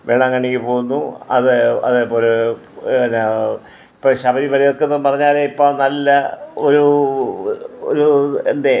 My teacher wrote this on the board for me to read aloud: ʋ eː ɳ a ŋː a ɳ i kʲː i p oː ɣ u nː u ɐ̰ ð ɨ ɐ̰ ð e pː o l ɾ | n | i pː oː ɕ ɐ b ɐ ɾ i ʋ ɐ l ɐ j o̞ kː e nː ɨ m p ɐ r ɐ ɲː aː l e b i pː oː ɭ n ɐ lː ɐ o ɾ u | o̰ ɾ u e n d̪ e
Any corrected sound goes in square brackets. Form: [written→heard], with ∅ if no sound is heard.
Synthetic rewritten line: ʋ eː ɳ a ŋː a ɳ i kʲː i p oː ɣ u nː u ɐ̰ ð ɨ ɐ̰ ð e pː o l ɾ | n | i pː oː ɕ ɐ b ɐ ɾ i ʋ ɐ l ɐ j o̞ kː e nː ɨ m p ɐ r ɐ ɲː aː l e [b→∅] i pː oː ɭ n ɐ lː ɐ o ɾ u | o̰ ɾ u e n d̪ e